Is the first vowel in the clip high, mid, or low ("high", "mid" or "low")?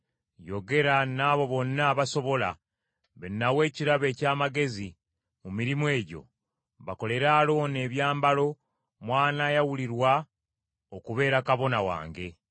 mid